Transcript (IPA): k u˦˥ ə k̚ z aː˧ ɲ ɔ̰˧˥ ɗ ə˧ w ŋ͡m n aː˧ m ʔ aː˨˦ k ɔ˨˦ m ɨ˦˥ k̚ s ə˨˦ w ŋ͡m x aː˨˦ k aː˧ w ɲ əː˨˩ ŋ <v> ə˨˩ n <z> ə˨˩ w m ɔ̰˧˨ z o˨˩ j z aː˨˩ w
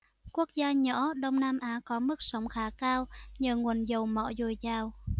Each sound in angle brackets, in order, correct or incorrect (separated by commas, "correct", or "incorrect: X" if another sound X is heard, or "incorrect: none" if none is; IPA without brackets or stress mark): incorrect: w, correct